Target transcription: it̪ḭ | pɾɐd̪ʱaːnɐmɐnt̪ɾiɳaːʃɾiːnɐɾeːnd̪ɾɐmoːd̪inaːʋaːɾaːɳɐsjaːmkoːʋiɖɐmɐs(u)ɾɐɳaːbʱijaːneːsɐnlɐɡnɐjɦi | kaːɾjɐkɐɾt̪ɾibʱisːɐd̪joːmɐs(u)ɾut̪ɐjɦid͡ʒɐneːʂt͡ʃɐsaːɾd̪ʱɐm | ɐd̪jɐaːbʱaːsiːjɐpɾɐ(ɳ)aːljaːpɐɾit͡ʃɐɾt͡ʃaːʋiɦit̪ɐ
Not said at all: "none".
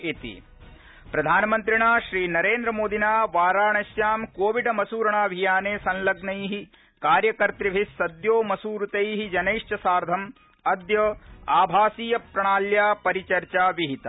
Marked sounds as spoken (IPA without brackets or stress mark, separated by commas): uː, uː, ɳ